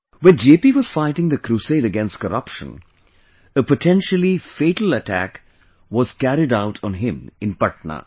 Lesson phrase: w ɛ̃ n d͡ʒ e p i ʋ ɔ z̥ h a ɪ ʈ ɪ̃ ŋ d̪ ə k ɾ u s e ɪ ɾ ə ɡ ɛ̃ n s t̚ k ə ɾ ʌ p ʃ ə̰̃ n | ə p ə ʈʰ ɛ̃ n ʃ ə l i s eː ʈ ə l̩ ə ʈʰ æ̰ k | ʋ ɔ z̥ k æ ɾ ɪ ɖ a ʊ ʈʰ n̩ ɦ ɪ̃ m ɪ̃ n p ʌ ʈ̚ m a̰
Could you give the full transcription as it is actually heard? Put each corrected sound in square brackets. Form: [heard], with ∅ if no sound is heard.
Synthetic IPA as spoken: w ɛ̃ n d͡ʒ e p i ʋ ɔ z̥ [f] a ɪ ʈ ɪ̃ ŋ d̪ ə k ɾ u s e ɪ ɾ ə ɡ ɛ̃ n s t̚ k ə ɾ ʌ p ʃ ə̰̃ n | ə p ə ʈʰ ɛ̃ n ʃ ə l i [f] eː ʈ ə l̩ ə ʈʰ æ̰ k | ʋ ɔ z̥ k æ ɾ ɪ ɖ a ʊ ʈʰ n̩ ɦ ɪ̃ m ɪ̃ n p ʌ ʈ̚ [n] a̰